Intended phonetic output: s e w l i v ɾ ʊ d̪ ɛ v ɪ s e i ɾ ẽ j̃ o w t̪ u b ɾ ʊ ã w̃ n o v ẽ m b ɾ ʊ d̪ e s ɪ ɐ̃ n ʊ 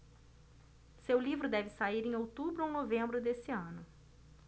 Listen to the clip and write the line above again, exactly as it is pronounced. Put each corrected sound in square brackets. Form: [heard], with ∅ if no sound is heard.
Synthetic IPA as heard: s e w l i v ɾ ʊ d̪ ɛ v ɪ s [a] i ɾ ẽ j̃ o w t̪ u b ɾ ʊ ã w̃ n o v ẽ m b ɾ ʊ d̪ e s ɪ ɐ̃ n ʊ